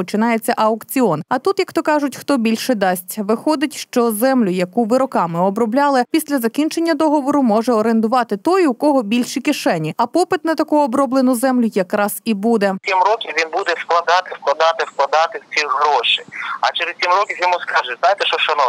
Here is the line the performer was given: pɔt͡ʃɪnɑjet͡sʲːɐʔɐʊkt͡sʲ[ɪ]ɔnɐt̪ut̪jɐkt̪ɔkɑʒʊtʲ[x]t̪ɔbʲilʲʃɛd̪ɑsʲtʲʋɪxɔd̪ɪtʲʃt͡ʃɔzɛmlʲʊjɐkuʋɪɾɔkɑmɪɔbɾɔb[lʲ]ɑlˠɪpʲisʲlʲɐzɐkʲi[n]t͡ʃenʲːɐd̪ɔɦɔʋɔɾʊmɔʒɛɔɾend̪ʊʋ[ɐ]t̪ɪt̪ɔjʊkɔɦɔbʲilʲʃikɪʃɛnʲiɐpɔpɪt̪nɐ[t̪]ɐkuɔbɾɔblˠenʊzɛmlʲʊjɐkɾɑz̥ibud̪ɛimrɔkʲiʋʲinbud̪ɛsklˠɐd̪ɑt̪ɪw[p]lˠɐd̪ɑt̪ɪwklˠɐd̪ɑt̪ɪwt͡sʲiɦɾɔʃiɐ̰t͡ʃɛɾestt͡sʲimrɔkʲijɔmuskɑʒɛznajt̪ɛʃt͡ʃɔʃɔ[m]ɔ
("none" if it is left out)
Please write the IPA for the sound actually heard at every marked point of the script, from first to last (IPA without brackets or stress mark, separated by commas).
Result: i, x, lʲ, n, ɑ, t̪, k, n